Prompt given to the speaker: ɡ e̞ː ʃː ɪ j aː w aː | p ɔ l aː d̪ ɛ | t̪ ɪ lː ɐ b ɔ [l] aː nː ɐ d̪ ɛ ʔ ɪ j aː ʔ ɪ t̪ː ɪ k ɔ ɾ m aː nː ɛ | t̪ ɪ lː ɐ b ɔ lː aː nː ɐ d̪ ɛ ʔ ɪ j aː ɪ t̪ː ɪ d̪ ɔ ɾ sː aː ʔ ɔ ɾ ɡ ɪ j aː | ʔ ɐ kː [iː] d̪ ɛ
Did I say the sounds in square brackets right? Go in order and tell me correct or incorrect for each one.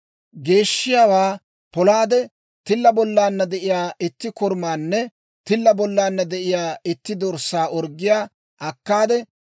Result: incorrect: lː, incorrect: aː

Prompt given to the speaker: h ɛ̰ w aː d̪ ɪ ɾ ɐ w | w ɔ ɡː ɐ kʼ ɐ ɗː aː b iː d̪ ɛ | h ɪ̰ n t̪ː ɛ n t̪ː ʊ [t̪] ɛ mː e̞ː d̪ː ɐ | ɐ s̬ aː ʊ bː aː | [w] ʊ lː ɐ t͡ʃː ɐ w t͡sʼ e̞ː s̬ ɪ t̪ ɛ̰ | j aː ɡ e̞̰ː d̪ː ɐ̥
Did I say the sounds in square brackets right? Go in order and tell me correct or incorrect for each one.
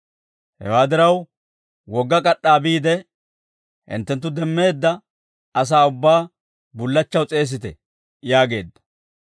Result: incorrect: d̪, incorrect: b

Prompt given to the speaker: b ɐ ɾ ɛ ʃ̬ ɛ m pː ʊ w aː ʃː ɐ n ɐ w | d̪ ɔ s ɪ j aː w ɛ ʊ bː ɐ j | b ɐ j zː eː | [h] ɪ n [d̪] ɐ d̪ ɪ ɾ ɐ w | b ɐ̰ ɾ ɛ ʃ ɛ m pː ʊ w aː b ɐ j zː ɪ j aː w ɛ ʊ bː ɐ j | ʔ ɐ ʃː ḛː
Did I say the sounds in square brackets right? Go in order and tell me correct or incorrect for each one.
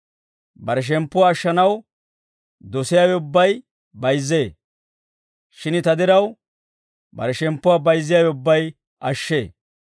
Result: incorrect: ʃ, incorrect: t̪

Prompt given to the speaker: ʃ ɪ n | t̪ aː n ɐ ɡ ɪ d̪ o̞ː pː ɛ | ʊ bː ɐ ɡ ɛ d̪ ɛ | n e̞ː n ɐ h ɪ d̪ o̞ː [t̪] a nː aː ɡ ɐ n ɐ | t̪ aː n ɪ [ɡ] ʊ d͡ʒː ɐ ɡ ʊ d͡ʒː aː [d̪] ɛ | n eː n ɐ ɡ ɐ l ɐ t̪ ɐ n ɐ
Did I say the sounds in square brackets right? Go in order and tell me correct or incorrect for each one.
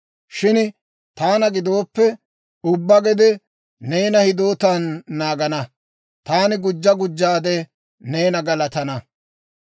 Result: correct, correct, correct

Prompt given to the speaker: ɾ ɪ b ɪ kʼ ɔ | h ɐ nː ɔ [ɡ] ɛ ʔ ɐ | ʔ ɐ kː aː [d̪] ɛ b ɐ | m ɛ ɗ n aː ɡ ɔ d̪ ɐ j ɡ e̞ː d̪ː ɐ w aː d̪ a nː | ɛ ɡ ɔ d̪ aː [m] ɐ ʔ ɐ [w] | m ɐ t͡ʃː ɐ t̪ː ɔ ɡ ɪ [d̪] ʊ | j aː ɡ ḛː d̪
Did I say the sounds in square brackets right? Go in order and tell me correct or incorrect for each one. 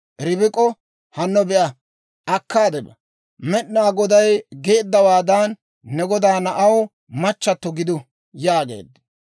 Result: incorrect: b, correct, incorrect: n, correct, correct

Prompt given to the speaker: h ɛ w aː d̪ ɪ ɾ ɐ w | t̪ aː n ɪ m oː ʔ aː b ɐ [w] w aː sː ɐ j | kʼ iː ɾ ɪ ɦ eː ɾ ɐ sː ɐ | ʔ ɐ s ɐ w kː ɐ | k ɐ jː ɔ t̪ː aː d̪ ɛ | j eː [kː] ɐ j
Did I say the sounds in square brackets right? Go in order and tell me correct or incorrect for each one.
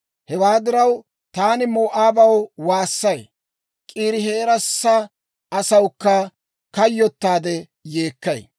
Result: correct, correct

